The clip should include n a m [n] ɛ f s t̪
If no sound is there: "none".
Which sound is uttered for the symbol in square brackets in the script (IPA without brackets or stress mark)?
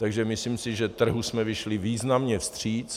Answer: ɲ